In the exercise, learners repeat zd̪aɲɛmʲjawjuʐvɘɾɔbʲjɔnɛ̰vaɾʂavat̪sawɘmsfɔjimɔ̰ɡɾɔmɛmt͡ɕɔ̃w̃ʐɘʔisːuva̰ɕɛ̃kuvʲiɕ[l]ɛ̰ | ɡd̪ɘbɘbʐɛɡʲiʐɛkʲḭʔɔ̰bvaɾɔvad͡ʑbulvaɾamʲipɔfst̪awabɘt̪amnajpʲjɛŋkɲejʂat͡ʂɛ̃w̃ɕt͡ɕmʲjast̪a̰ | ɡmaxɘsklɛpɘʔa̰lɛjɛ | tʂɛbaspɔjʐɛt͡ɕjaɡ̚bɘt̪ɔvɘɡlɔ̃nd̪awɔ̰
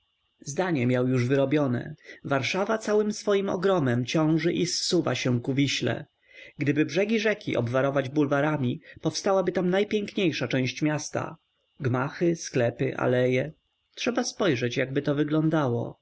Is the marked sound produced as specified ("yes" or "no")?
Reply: yes